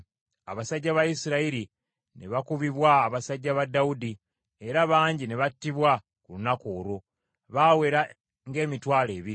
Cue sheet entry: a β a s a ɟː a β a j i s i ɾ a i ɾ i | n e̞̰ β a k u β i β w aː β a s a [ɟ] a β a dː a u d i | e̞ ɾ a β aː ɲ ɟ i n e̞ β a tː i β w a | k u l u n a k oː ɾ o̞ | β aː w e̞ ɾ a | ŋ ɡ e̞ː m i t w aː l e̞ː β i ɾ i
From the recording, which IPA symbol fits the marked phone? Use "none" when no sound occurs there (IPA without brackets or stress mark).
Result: ɟː